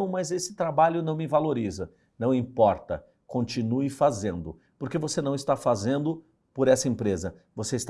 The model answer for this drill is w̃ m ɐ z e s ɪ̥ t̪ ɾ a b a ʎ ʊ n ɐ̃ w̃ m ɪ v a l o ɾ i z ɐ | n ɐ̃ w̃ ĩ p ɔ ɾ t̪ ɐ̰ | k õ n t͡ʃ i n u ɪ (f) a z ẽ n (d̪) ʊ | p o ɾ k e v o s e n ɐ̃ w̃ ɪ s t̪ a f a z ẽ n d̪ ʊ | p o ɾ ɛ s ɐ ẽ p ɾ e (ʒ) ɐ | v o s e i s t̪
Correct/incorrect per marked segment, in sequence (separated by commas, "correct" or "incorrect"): correct, correct, incorrect